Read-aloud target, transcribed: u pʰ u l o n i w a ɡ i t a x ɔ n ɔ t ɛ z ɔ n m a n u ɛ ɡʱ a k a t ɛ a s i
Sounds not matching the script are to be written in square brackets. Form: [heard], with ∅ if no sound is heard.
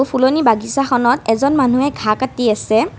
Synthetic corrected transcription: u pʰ u l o n i [b] a ɡ i [s] a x ɔ n ɔ t ɛ z ɔ n m a n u ɛ ɡʱ a k a t [i] a s [ɛ]